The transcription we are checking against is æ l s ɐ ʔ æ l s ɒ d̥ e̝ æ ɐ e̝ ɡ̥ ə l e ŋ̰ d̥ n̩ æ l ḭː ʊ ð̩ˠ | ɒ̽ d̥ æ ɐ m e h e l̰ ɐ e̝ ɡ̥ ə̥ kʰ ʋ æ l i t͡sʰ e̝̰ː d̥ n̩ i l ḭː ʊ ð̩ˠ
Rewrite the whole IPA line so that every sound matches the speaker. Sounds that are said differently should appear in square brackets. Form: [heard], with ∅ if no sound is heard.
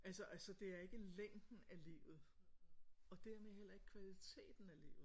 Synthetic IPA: æ l s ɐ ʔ æ l s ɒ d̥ e̝ æ ɐ e̝ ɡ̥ ə l e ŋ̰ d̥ n̩ æ l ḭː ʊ ð̩ˠ | ɒ̽ d̥ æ ɐ m e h e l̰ ɐ e̝ ɡ̥ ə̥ kʰ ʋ æ l i t͡sʰ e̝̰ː d̥ n̩ [æ] l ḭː ʊ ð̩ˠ